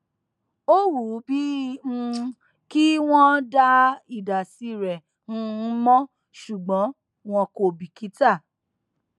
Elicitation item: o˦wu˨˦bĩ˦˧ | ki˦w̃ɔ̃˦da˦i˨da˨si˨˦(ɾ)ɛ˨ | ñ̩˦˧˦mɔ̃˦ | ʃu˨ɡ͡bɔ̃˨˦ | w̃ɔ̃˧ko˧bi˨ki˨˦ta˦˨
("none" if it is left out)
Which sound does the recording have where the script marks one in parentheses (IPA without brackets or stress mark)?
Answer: ɾ